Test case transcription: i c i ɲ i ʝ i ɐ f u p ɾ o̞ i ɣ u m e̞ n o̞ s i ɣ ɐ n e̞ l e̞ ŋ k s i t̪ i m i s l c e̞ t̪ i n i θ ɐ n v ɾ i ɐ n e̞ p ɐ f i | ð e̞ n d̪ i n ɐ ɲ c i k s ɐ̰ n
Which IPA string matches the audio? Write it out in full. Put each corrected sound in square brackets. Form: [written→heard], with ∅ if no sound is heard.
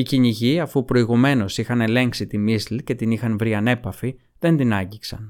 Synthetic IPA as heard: i c i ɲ i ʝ i ɐ f u p ɾ o̞ i ɣ u m e̞ n o̞ s i [ɣ→x] ɐ n e̞ l e̞ ŋ k s i t̪ i m i s l c e̞ t̪ i n i [θ→x] ɐ n v ɾ i ɐ n e̞ p ɐ f i | ð e̞ n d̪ i n ɐ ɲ [c→ɟ] i k s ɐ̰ n